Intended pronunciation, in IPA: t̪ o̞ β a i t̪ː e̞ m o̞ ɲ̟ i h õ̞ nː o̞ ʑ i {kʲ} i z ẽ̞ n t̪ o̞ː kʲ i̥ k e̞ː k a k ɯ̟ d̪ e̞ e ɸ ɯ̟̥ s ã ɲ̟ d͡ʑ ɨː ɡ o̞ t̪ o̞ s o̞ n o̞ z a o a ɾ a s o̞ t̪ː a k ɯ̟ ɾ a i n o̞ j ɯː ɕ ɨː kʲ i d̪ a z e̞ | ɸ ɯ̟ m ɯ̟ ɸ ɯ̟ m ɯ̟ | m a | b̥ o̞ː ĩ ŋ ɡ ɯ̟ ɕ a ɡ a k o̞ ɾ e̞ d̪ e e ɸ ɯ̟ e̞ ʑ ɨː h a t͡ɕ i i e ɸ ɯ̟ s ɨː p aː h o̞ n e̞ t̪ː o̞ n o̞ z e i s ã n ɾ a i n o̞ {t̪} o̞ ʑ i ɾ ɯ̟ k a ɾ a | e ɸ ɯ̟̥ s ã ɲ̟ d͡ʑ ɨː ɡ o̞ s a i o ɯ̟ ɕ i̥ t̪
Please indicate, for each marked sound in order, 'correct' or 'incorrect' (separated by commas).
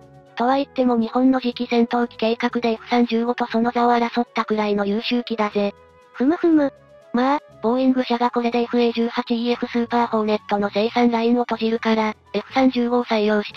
correct, correct